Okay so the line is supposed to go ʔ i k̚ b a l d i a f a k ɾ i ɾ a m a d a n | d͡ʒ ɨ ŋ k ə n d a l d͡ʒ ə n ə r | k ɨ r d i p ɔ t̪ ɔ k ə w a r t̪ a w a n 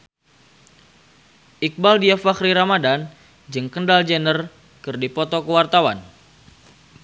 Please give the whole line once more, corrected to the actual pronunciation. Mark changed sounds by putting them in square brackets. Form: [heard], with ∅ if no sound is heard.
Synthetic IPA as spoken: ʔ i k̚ b a l d i a f a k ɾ i ɾ a m a d a n | d͡ʒ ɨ ŋ k ə n d a l d͡ʒ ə n ə r | k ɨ r d i p ɔ t̪ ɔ k ə w a r t̪ a w a n